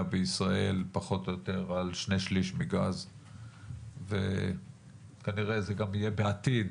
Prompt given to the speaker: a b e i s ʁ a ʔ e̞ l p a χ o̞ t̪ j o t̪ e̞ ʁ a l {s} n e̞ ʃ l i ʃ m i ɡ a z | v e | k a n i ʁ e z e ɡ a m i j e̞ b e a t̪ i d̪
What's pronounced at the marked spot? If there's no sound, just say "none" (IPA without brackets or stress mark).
ʃ